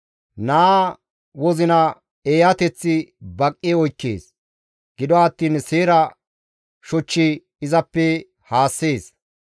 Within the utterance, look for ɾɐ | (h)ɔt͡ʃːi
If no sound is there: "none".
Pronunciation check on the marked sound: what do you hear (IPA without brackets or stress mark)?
ʃ